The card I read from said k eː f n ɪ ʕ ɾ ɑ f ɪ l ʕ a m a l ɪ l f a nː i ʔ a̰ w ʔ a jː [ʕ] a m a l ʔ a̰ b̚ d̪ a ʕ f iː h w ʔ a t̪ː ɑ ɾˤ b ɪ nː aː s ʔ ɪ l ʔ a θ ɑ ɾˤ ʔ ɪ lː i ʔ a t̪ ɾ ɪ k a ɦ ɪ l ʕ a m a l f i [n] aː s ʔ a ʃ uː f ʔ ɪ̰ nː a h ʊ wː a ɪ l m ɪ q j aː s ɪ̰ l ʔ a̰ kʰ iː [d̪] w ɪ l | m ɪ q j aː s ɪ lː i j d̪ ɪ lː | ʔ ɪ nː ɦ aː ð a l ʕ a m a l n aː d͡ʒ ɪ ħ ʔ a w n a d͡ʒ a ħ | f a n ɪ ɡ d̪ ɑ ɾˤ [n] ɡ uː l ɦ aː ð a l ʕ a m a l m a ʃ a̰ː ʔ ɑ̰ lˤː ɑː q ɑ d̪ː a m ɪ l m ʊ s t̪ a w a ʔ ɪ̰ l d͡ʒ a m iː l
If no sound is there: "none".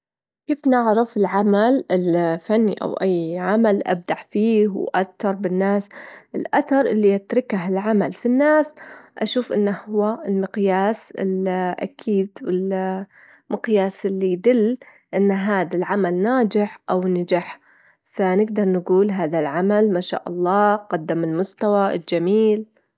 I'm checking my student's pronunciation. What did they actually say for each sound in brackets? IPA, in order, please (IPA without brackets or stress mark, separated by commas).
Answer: ʕ, nː, d̪, n